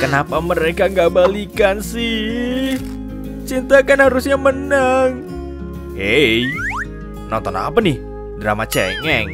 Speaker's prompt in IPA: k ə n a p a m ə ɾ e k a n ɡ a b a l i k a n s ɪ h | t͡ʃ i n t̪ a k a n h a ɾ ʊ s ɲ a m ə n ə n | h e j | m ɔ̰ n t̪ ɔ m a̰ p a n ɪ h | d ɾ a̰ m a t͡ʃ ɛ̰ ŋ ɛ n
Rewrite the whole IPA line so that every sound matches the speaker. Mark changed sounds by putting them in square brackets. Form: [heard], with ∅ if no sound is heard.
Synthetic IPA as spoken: k ə n a p a m ə ɾ e k a [ŋ] ɡ a b a l i k a n s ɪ h | t͡ʃ i n t̪ a k a n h a ɾ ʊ s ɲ a m ə n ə [ŋ] | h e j | [n] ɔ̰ n t̪ ɔ [n] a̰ p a n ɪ h | d ɾ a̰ m a t͡ʃ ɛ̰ ŋ ɛ [ŋ]

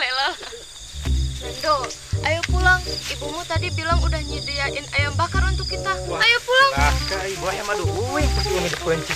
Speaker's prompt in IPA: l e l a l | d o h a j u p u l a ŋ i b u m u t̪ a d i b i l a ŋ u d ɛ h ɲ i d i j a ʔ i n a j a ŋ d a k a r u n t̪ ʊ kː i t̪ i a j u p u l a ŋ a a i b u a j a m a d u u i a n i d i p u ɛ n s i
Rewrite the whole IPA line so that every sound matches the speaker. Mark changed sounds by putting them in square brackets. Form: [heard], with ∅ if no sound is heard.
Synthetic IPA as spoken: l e l a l | d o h a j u p u l a ŋ i b u m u t̪ a d i b i l a ŋ u d [a] h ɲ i d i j a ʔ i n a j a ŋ [b] a k a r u n t̪ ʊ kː i t̪ [a] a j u p u l a ŋ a a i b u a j a m a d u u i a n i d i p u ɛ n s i

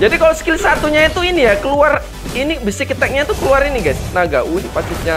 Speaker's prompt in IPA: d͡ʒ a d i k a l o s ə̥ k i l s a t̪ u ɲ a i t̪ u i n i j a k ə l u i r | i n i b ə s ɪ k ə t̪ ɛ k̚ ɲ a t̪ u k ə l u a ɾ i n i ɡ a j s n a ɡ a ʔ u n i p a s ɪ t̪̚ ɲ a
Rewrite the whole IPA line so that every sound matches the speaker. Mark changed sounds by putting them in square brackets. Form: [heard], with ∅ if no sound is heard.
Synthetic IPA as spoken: d͡ʒ a d i k a l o s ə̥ k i l s a t̪ u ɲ a i t̪ u i n i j a k ə l u [a] r | i n i b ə s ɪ k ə t̪ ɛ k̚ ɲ a t̪ u k ə l u a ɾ i n i ɡ a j s n a ɡ a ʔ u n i p a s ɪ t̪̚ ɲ a

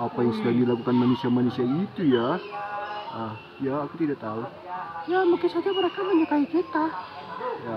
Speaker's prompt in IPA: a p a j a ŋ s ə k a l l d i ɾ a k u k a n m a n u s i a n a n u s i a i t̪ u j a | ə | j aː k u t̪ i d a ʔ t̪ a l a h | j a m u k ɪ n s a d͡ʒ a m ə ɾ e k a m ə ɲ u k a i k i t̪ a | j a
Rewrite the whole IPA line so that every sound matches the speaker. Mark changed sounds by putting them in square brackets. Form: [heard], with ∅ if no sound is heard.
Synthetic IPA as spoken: a p a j a ŋ s ə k a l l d i [l] a k u k a n m a n u s i a [m] a n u s i a i t̪ u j a | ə | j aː k u t̪ i d a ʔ t̪ a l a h | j a m u k ɪ n s a d͡ʒ a m ə ɾ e k a m ə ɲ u k a i k i t̪ a | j a

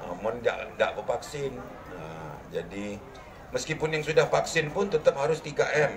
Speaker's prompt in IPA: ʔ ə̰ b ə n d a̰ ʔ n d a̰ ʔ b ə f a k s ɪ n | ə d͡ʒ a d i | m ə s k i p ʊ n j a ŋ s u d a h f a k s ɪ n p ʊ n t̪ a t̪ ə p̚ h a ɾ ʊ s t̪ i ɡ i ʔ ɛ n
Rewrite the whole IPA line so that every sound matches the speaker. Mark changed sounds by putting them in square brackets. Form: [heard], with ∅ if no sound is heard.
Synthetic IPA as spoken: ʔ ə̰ [m] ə n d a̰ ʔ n d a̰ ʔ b ə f a k s ɪ n | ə d͡ʒ a d i | m ə s k i p ʊ n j a ŋ s u d a h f a k s ɪ n p ʊ n t̪ [ə] t̪ ə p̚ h a ɾ ʊ s t̪ i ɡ [a] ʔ ɛ [m]

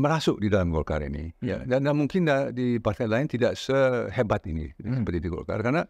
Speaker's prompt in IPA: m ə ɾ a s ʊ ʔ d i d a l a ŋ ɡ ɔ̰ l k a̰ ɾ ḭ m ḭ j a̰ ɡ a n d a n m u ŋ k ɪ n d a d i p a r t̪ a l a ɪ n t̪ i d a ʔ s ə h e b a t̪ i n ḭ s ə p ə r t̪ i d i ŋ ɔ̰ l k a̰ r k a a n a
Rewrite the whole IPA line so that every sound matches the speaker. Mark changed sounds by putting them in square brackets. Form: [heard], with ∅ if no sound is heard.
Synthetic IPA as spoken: m ə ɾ a s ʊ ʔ d i d a l a [m] ɡ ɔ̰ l k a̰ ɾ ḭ [n] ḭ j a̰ [d] a n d a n m u ŋ k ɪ n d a d i p a r t̪ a l a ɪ n t̪ i d a ʔ s ə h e b a t̪ i n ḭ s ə p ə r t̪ i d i [ɡ] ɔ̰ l k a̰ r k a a n a

